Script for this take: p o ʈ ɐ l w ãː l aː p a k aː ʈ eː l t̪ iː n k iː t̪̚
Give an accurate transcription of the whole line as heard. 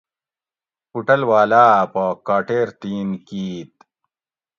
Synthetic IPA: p u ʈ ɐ l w aː l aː p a k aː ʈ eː ɾ t̪ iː n k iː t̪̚